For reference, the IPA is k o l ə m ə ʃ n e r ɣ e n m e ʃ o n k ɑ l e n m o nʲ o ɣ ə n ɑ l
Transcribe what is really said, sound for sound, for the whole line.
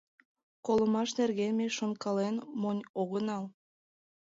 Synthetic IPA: k o l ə m ɑ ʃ n e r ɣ e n m e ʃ o n k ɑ l e n m o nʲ o ɣ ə n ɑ l